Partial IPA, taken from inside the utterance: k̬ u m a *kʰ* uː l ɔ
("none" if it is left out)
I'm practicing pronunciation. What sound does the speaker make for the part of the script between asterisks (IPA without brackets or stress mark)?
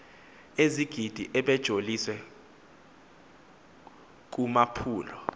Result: pʰ